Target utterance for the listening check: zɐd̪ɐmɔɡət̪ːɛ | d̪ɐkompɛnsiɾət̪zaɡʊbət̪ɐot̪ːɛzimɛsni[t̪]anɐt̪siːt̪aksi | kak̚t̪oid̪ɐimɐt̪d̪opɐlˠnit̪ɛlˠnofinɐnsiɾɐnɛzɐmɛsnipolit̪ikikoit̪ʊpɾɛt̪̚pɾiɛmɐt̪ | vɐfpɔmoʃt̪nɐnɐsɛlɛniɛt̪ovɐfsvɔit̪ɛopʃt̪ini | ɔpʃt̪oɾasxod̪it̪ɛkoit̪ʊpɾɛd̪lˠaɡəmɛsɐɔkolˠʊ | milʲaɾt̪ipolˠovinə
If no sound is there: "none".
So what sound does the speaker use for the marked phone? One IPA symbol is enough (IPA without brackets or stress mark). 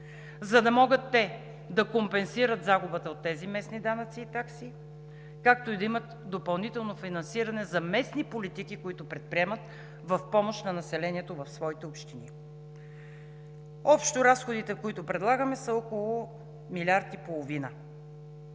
d̪